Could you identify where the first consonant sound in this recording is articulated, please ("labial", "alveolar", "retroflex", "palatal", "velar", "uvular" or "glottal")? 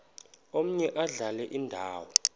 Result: labial